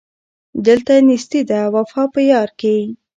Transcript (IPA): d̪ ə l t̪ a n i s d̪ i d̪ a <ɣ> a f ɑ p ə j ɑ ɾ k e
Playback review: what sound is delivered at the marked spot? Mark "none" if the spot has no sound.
w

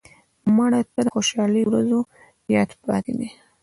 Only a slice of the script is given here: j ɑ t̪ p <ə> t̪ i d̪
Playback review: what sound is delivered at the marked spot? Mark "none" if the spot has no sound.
ɑ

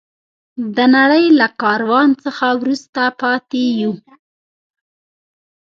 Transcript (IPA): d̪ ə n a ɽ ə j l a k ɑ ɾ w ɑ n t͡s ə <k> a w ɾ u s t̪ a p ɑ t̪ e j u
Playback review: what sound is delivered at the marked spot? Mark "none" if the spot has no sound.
x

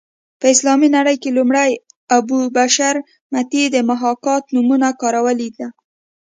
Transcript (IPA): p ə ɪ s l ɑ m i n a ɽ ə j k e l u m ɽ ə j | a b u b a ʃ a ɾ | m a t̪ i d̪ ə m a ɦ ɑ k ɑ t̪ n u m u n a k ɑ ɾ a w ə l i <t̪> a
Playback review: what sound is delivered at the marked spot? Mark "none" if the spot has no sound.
d̪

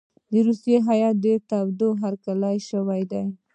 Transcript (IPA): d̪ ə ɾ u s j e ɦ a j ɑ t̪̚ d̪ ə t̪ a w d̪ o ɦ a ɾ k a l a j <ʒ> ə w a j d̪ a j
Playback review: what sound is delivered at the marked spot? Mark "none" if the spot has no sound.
ʃ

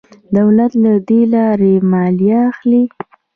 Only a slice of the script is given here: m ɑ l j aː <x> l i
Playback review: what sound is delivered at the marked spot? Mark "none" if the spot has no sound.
x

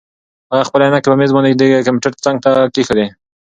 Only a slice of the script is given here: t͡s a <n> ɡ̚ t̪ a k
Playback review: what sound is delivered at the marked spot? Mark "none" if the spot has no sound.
ŋ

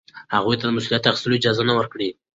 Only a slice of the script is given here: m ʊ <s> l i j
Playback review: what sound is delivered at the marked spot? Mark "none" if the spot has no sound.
s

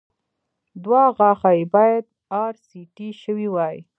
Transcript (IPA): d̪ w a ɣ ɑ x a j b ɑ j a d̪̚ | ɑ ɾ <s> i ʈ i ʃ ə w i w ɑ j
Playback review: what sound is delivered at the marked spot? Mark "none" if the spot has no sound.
s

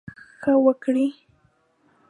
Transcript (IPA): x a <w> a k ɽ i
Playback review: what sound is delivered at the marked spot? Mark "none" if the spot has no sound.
w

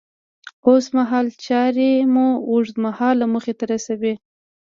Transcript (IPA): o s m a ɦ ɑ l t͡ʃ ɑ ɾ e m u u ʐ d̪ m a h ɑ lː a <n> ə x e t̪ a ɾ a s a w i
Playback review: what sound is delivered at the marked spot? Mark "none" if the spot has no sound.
m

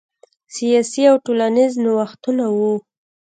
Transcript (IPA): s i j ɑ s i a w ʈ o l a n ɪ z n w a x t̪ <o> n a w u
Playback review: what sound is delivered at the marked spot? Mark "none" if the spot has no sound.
u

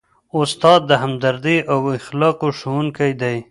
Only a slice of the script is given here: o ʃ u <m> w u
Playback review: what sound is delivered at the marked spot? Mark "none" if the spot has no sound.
none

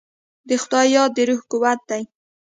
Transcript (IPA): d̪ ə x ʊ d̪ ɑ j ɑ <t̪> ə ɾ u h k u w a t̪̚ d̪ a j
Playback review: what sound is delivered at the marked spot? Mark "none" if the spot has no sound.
d̪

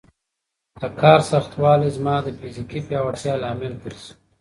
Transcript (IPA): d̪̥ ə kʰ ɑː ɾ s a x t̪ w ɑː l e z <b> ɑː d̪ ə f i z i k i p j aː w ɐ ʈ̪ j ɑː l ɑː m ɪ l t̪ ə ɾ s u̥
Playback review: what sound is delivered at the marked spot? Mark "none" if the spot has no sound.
m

